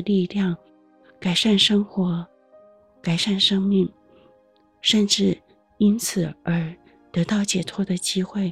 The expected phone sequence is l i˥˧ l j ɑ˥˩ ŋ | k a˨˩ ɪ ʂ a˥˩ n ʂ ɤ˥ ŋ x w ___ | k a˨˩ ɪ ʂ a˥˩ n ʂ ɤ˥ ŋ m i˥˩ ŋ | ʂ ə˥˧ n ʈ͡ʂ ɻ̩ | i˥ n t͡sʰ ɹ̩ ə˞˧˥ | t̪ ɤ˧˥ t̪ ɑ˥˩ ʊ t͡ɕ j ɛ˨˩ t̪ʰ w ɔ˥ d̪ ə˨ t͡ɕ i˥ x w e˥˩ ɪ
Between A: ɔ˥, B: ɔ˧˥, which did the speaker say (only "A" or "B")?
B